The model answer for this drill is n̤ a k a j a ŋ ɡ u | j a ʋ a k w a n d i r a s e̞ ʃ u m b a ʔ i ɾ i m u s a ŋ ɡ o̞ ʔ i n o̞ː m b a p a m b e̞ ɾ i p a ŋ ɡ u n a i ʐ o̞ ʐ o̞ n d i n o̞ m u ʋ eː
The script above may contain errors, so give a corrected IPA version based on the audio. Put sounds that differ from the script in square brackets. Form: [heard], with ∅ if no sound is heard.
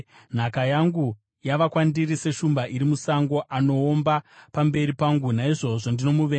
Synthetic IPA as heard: n̤ a k a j a ŋ ɡ u | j a ʋ a k w a n d i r [i] s e̞ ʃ u m b a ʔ i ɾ i m u s a ŋ ɡ o̞ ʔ [a] n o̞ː m b a p a m b e̞ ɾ i p a ŋ ɡ u n a i ʐ o̞ ʐ o̞ n d i n o̞ m u ʋ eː